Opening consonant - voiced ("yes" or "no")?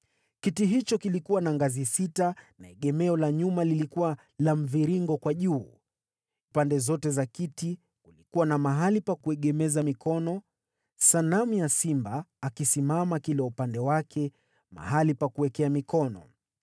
no